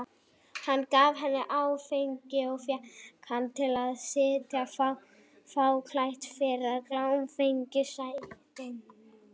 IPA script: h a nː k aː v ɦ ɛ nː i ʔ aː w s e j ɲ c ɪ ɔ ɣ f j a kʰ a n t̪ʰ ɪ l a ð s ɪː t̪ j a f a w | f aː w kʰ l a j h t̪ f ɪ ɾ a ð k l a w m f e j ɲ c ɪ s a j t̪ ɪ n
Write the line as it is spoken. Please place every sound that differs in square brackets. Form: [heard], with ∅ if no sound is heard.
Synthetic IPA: h a nː k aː v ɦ ɛ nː [ɪ] ʔ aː w [f] e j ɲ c ɪ ɔ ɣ f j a kʰ a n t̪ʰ ɪ l a ð s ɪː t̪ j a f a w | f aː w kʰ l a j h t̪ f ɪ ɾ a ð k l a w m f e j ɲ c ɪ s a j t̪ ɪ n

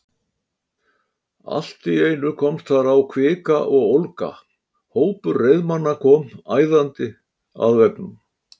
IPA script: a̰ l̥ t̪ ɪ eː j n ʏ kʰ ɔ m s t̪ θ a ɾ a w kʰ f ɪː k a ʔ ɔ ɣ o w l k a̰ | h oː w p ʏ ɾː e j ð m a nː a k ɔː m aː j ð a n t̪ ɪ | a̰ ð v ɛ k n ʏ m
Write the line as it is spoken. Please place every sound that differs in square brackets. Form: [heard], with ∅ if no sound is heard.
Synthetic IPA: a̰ l̥ t̪ ɪ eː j n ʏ kʰ ɔ m s t̪ θ a ɾ a w kʰ [v] ɪː k a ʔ ɔ ɣ o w l k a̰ | h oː w p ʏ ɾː e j ð m a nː a [kʰ] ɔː m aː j ð a n t̪ ɪ | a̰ ð v ɛ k n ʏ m

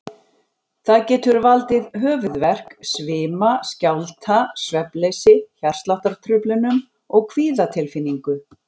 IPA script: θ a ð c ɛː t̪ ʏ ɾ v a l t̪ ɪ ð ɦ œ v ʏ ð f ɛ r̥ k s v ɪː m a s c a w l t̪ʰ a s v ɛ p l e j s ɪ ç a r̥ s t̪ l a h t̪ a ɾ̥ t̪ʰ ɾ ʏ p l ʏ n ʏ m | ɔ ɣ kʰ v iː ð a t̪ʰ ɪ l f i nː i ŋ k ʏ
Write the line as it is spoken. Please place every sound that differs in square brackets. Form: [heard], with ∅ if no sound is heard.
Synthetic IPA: θ a ð c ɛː t̪ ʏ ɾ v a l t̪ ɪ ð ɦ [œː] v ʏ ð [v] ɛ r̥ k s v ɪː m a s c a w l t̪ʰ a s v ɛ p l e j s ɪ ç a r̥ s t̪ l a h t̪ a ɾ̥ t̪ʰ ɾ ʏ p l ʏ n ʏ m | ɔ ɣ kʰ v iː ð a t̪ʰ ɪ l f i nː i ŋ k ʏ

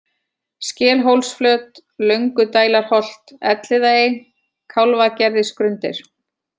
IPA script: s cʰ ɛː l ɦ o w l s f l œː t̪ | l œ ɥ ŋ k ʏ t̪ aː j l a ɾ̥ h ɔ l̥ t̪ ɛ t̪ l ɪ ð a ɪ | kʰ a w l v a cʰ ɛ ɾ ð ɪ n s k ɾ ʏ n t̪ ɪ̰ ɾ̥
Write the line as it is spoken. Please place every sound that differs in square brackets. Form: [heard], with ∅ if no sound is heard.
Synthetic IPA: s [c] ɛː l ɦ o w l s f l œː t̪ | l œ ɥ ŋ k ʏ t̪ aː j l a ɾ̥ h ɔ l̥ t̪ ɛ t̪ l ɪ ð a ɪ | kʰ a w l v a [c] ɛ ɾ ð ɪ [∅] s k ɾ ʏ n t̪ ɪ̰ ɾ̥

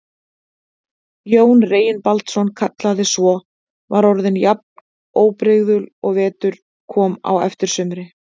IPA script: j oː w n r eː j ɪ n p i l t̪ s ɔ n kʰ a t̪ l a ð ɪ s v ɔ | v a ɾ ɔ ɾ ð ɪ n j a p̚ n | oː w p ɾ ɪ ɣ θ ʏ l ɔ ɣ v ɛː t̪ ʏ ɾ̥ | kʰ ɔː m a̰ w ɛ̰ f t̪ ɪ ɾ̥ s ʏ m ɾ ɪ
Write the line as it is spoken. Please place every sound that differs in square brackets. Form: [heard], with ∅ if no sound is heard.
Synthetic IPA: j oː w n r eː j ɪ n p [a] l t̪ s ɔ n kʰ a t̪ l a ð ɪ s v ɔ | v a ɾ ɔ ɾ ð ɪ n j a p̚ n | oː w p ɾ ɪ ɣ [ð] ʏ l ɔ ɣ v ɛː t̪ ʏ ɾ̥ | kʰ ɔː m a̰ w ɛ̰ f t̪ ɪ ɾ̥ s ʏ m ɾ ɪ

